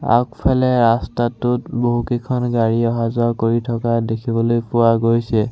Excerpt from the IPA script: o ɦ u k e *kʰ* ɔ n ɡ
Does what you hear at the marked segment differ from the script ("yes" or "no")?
no